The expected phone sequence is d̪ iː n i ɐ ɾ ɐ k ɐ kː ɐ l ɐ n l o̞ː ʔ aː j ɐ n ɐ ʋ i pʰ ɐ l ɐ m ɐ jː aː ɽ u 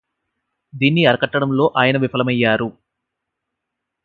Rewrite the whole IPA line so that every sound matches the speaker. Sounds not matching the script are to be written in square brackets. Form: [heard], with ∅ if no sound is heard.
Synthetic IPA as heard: d̪ iː [nː] i ɐ ɾ ɐ k ɐ [ʈː] ɐ [ɽ] ɐ [m] l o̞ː ʔ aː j ɐ n ɐ ʋ i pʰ ɐ l ɐ m ɐ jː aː [ɾ] u